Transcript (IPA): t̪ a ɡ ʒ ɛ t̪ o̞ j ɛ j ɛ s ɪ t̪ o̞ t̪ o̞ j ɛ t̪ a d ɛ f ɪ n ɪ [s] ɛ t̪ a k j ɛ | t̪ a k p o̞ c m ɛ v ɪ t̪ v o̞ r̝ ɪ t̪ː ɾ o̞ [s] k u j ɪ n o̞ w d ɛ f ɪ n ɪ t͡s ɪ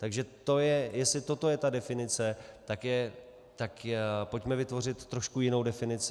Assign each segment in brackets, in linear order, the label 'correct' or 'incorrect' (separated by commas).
incorrect, incorrect